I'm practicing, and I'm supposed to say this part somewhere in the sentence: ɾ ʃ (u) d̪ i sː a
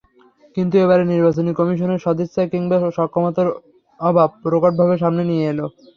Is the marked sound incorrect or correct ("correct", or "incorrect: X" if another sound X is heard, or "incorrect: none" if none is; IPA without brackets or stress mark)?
incorrect: ɔ